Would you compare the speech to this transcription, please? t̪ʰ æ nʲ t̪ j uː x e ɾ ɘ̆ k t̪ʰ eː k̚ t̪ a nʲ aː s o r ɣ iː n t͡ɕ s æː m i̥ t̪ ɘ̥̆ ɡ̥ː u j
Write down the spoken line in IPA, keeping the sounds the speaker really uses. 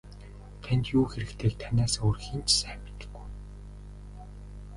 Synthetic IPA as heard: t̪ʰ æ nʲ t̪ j uː x e ɾ ɘ̆ k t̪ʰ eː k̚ t̪ʰ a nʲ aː s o r x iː n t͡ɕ s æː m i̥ t̪ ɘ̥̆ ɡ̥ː u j